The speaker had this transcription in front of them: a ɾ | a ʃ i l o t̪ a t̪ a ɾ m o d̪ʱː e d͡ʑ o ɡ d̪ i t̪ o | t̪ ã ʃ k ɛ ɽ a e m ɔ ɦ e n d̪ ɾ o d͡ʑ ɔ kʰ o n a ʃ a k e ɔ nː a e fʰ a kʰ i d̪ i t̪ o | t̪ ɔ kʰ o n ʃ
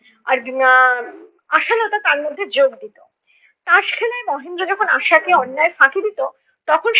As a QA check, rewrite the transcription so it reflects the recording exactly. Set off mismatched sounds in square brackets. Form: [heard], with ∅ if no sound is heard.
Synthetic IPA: a ɾ | a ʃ [a] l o t̪ a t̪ a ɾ m o d̪ʱː e d͡ʑ o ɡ d̪ i t̪ o | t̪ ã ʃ [kʰ] ɛ [l] a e m ɔ ɦ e n d̪ ɾ o d͡ʑ ɔ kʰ o n a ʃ a k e ɔ nː a e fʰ a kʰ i d̪ i t̪ o | t̪ ɔ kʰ o n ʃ